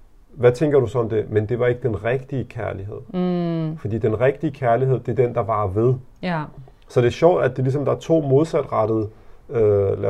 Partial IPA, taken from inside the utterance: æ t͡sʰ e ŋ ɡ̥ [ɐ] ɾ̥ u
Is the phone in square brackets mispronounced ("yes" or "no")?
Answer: no